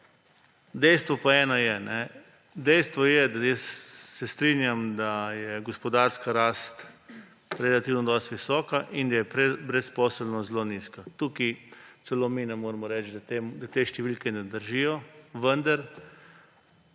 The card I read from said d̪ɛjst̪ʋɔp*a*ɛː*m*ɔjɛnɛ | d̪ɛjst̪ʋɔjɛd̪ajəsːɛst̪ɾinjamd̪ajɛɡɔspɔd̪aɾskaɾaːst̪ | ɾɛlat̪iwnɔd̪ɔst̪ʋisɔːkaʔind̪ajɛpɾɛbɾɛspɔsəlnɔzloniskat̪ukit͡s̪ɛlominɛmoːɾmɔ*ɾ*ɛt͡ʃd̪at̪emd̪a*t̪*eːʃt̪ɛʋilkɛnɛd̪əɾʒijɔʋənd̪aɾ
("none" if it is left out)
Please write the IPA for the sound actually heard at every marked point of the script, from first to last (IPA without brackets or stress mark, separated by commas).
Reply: a, n, ɾ, t̪